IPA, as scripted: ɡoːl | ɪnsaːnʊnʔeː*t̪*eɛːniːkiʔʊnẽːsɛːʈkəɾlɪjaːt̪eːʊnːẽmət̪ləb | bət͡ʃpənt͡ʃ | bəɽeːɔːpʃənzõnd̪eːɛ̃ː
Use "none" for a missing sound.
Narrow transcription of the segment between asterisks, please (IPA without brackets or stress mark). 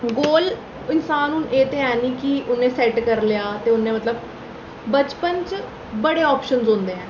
t̪